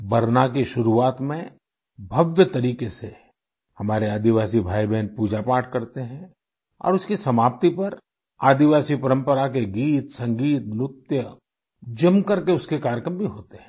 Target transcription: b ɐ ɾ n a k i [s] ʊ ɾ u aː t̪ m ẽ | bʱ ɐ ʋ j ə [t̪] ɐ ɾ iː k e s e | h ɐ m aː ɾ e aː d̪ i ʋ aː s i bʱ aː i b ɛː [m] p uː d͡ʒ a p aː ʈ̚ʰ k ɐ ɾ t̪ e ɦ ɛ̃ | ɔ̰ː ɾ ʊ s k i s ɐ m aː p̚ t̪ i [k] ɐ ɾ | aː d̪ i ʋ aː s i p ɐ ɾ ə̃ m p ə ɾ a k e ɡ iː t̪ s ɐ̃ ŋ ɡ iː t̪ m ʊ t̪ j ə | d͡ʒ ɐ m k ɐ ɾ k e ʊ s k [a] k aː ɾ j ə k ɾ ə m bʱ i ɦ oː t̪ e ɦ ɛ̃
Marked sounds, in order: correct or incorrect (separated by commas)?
incorrect, correct, incorrect, incorrect, incorrect